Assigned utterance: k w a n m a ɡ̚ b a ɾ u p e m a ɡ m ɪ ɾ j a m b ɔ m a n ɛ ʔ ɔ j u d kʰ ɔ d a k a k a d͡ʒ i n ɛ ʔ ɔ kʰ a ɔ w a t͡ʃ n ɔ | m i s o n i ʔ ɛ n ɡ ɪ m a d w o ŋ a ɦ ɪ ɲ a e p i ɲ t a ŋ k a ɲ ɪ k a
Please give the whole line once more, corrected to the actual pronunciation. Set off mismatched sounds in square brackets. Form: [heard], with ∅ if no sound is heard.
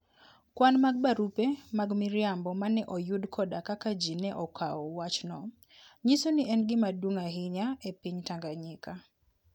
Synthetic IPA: k w a n m a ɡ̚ b a ɾ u p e m a ɡ m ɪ ɾ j a m b ɔ m a n ɛ ʔ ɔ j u d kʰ ɔ d a k a k a d͡ʒ i n ɛ ʔ ɔ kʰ a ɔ w a t͡ʃ n ɔ | [ɲ] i s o n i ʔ ɛ n ɡ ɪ m a d w o ŋ a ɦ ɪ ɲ a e p i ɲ t a ŋ [ɡ] a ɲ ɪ k a